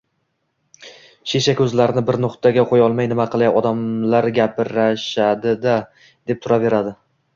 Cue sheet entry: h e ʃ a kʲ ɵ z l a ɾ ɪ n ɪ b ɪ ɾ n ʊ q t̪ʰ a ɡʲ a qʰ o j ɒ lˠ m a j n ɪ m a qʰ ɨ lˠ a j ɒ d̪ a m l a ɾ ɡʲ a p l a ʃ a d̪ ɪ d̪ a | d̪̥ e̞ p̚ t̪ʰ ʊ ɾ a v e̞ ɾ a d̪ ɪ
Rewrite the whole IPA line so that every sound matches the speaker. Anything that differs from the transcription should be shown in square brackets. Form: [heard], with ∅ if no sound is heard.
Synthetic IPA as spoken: [ʃ] e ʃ a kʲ ɵ z l a ɾ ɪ n ɪ b ɪ ɾ n ʊ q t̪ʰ a ɡʲ a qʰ o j ɒ lˠ m a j n ɪ m a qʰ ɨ lˠ a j ɒ d̪ a m l a ɾ ɡʲ a p [ɾ] a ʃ a d̪ ɪ d̪ a | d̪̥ e̞ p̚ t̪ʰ ʊ ɾ a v e̞ ɾ a d̪ ɪ